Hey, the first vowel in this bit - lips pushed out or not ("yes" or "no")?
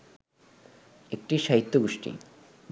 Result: no